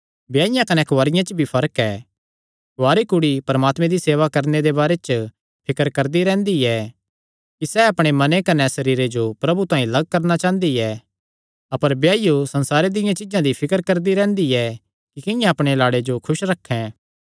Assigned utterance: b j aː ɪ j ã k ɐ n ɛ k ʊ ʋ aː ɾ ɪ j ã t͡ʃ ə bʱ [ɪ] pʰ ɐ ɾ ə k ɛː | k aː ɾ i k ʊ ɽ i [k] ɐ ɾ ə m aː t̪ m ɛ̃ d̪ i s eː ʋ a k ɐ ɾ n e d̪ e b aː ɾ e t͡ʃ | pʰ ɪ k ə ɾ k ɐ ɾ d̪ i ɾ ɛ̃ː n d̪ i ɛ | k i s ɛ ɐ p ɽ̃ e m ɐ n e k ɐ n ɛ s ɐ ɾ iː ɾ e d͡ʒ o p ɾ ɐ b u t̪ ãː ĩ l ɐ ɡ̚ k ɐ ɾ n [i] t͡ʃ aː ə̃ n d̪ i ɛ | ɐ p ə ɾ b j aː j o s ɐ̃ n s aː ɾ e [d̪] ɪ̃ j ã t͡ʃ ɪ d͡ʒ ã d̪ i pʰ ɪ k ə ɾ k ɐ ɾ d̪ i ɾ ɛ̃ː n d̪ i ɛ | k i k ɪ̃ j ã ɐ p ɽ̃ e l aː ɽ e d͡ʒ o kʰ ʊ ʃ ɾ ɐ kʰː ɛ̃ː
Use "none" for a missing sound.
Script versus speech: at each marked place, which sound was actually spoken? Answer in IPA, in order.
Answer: i, p, a, d̪

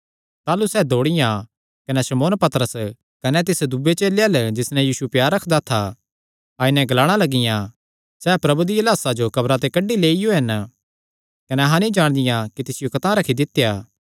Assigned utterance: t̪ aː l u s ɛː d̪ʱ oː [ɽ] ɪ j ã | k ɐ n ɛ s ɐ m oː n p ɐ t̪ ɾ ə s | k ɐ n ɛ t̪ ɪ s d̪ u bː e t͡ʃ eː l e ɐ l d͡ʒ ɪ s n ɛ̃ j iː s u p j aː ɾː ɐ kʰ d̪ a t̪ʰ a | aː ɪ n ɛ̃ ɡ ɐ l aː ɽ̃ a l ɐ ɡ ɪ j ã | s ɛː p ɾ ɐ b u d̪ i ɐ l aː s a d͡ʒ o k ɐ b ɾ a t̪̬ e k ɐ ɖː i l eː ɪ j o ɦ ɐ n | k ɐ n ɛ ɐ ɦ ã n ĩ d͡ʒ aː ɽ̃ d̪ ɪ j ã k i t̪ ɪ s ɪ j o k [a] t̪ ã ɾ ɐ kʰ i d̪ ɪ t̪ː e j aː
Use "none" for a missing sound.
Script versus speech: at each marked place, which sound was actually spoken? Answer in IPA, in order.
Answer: ɽ, ɐ

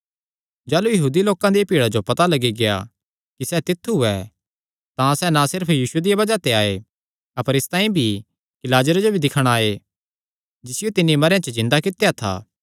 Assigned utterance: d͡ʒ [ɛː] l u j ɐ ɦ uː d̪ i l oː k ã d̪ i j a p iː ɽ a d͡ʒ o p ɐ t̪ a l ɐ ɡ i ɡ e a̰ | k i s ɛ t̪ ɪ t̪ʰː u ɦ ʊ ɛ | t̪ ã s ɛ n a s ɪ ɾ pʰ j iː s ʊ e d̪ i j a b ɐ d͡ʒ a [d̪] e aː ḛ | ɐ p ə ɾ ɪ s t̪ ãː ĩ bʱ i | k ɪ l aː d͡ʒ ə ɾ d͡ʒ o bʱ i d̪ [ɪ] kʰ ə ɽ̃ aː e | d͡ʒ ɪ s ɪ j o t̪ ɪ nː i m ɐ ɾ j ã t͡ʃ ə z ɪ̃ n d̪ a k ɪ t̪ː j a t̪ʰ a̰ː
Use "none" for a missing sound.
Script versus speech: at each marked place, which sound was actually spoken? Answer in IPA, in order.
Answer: aː, t̪, ɪ

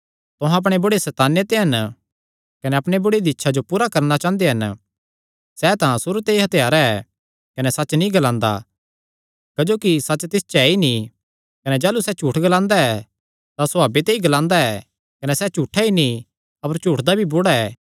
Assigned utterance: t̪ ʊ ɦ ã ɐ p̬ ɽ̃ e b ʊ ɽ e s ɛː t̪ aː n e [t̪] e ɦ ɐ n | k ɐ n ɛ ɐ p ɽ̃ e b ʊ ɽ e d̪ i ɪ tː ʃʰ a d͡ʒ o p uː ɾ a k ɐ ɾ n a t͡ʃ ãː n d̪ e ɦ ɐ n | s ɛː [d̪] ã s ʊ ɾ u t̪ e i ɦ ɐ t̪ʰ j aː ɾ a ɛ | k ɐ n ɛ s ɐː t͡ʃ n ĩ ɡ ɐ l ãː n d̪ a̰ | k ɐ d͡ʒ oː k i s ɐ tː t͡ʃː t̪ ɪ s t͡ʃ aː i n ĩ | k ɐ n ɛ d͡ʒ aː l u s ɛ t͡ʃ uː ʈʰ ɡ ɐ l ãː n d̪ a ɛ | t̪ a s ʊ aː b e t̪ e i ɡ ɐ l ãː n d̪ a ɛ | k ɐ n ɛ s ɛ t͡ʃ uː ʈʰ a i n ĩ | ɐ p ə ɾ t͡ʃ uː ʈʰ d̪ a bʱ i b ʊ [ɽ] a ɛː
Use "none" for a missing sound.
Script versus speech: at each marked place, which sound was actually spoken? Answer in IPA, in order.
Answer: t̪, t̪, ɽ

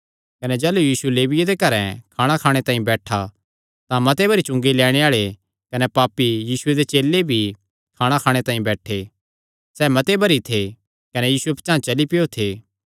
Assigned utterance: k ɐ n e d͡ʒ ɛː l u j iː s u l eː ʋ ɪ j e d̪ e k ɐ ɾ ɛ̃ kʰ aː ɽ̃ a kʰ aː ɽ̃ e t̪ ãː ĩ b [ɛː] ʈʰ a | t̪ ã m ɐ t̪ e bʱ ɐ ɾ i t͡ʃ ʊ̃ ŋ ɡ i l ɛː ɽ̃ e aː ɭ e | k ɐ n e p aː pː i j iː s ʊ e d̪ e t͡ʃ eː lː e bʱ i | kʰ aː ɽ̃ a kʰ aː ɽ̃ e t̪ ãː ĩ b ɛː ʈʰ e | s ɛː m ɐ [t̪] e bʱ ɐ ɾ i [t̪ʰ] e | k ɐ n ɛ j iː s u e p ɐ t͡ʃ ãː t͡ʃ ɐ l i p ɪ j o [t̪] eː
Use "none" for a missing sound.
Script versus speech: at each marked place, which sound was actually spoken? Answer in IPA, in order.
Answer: ɛː, t̪, t̪ʰ, t̪ʰ

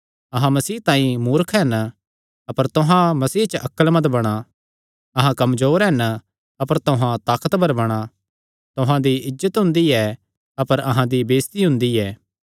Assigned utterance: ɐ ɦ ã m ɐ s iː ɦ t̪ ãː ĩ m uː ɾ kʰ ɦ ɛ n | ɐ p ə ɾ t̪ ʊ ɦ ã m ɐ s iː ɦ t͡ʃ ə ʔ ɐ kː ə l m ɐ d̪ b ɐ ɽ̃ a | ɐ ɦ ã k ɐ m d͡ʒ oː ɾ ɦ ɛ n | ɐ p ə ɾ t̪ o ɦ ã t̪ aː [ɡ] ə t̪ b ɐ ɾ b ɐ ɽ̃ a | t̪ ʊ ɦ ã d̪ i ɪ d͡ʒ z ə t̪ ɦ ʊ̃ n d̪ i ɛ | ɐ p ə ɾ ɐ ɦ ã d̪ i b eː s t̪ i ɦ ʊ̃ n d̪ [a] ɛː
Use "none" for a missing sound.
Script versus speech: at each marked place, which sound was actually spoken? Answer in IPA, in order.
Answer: k, i

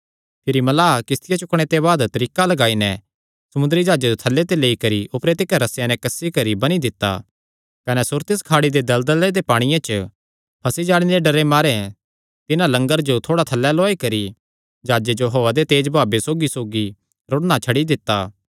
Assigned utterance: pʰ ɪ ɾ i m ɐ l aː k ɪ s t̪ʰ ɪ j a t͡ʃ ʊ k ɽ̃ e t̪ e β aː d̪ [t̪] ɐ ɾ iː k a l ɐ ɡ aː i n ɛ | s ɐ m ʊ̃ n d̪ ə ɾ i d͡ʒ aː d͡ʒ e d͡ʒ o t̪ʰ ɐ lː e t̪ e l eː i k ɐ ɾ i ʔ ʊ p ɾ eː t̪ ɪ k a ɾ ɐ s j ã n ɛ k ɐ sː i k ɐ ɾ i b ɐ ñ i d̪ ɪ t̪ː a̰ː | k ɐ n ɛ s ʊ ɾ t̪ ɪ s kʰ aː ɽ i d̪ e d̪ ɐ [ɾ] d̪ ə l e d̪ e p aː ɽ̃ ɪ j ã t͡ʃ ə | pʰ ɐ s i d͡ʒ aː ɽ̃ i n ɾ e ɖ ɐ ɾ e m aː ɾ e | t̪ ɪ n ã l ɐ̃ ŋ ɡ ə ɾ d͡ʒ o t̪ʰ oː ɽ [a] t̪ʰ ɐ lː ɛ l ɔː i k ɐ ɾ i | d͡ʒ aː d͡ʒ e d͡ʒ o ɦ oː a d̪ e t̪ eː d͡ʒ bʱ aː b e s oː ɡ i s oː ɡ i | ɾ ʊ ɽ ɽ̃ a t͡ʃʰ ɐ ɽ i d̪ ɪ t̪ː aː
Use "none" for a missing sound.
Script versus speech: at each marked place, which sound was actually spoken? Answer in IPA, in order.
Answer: t̪, l, a

